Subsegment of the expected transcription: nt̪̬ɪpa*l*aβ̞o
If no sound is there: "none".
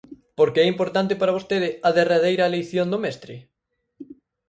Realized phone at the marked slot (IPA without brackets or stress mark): ɾ